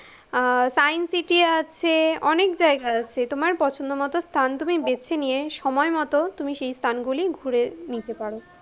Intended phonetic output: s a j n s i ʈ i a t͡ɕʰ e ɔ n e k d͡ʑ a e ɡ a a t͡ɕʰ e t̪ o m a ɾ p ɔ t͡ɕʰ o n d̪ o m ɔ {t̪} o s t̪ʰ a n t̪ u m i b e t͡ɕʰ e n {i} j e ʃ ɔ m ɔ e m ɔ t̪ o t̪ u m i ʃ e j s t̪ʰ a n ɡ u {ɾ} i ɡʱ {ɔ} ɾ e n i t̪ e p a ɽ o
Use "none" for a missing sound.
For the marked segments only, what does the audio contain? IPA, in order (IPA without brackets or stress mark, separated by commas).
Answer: t̪, i, l, u